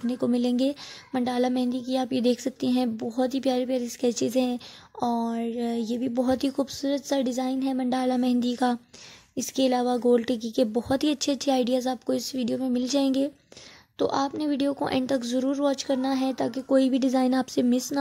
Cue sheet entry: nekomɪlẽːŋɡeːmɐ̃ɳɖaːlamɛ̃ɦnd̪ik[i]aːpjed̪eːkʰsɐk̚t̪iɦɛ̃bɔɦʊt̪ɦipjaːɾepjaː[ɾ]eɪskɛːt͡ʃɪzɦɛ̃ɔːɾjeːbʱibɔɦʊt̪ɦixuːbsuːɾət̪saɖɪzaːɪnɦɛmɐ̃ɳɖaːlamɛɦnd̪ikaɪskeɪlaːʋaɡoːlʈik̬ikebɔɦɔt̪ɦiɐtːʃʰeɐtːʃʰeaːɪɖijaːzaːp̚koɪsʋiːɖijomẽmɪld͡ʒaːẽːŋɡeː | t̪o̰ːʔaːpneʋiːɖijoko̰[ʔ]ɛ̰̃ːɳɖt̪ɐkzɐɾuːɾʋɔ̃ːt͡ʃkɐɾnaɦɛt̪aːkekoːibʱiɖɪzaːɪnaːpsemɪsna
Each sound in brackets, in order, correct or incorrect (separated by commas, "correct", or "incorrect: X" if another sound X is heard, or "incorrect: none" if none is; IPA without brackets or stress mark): correct, correct, correct